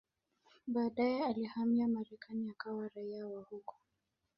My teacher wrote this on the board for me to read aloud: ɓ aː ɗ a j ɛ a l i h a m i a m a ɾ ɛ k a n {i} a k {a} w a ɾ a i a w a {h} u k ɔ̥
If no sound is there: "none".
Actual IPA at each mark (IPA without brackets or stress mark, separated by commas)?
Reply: i, a, h